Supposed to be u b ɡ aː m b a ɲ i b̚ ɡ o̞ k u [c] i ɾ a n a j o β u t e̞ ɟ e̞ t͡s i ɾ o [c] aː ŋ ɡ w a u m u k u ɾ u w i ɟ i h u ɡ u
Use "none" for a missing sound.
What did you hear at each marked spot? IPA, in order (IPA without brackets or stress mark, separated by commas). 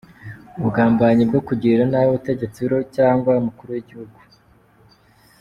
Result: ɟ, c